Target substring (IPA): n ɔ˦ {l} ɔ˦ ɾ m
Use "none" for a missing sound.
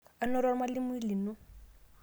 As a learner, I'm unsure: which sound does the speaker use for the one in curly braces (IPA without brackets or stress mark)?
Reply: ɾ